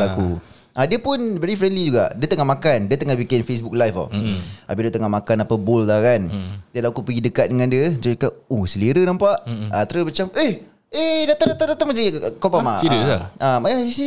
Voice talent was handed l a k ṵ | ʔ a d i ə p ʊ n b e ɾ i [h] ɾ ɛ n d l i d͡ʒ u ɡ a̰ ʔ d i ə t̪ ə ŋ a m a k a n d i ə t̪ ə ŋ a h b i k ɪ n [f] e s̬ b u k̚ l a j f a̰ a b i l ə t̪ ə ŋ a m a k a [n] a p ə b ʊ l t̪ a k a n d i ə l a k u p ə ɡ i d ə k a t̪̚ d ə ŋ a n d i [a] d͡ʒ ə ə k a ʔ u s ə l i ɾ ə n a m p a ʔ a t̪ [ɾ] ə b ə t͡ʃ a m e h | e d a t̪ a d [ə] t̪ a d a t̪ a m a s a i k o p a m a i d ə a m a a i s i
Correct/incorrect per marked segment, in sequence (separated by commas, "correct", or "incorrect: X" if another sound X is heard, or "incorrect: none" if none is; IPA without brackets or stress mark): incorrect: f, correct, correct, incorrect: ə, correct, incorrect: a